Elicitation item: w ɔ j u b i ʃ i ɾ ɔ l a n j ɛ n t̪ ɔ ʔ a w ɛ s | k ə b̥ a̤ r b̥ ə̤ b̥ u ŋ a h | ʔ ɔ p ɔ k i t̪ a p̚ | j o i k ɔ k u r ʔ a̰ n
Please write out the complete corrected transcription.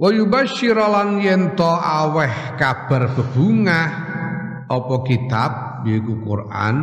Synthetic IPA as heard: w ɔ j u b a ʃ i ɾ ɔ l a n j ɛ n t̪ ɔ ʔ a w ɛ h | k a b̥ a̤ r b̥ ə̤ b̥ u ŋ a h | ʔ ɔ p ɔ k i t̪ a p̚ | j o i k u k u r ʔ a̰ n